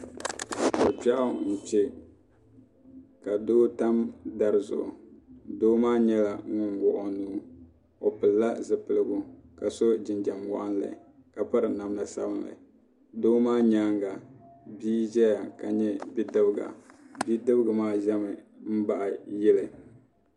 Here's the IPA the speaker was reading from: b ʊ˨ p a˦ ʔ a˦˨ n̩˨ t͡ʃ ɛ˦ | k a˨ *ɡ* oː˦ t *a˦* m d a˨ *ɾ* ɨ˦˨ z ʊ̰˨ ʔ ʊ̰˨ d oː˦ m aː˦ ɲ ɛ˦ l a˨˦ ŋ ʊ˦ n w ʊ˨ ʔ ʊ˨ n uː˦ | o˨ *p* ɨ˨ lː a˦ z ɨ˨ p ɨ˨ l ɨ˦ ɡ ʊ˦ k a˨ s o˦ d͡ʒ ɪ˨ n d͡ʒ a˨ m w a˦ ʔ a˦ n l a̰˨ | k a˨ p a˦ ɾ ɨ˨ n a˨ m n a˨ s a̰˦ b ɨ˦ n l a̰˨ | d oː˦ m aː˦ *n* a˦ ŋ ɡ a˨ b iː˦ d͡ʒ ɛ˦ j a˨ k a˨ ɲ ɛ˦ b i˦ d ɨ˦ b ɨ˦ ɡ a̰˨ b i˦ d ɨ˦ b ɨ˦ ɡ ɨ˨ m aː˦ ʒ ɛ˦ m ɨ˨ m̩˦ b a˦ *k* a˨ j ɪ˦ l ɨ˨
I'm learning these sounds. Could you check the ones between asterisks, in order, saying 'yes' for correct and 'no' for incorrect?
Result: no, yes, yes, yes, no, no

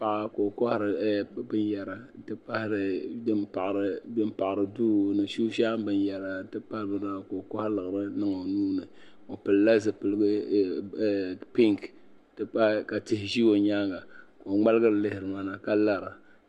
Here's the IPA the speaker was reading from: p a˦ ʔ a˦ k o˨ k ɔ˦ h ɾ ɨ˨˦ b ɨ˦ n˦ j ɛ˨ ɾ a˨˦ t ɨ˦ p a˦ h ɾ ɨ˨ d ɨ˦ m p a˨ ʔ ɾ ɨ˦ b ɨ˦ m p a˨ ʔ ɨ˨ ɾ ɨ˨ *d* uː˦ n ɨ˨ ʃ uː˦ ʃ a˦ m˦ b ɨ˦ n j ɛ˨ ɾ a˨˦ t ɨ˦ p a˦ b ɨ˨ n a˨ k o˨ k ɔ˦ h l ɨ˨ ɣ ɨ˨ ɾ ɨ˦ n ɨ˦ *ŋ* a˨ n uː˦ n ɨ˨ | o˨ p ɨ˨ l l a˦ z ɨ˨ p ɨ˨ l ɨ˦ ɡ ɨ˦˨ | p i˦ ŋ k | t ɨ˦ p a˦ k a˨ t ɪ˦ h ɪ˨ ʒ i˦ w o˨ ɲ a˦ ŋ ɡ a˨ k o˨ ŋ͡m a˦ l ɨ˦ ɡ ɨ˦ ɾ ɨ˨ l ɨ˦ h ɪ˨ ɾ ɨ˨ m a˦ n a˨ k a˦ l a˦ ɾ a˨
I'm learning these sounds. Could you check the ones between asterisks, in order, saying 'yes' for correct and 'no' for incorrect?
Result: yes, yes

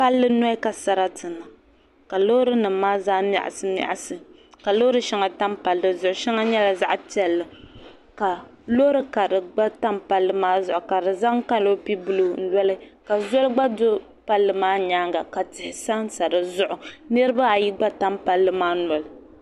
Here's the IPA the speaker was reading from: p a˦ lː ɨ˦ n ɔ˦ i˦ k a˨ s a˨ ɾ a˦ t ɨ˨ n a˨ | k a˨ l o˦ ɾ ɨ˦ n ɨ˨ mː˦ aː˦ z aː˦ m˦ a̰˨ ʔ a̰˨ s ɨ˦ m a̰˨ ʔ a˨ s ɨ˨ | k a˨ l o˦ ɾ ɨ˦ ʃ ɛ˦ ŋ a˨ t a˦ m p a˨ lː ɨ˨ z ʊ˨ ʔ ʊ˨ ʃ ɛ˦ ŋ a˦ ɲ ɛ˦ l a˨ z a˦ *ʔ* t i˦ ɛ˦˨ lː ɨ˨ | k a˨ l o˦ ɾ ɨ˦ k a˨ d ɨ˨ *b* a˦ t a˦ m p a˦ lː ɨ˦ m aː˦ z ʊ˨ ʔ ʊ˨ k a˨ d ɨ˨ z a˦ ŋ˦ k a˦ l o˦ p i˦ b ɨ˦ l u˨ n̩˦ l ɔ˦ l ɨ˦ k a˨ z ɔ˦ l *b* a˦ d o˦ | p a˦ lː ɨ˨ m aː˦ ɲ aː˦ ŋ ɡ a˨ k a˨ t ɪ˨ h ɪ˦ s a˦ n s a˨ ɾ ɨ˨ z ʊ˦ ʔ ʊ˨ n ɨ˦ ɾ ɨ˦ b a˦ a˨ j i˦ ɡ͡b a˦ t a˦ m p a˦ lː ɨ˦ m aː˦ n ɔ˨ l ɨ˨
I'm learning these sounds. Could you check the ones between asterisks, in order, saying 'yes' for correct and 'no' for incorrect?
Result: yes, no, no

